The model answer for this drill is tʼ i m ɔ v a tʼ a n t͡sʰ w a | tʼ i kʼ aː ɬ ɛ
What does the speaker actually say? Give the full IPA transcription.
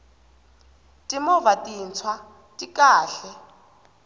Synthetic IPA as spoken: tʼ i m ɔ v a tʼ i n t͡sʰ w a | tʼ i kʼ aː ɬ ɛ